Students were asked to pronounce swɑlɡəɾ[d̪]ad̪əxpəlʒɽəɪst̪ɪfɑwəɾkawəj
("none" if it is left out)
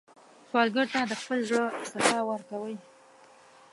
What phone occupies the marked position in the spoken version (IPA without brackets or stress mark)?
t̪